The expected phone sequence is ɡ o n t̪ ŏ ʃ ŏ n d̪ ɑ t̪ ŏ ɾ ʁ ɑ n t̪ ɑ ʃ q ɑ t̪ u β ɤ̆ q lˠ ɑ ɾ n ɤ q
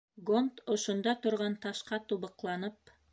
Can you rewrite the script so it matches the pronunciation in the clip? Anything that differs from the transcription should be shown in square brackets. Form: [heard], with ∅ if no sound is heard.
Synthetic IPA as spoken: ɡ o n t̪ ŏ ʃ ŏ n d̪ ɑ t̪ ŏ ɾ ʁ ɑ n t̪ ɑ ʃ q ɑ t̪ u β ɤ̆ q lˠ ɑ [∅] n ɤ [p]